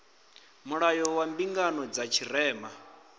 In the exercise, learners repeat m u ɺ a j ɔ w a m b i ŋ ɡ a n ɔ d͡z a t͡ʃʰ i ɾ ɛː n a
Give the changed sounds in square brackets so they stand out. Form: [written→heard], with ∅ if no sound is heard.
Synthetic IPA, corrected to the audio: m u ɺ a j ɔ w a m b i ŋ ɡ a n ɔ d͡z a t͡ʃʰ i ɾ ɛː [n→m] a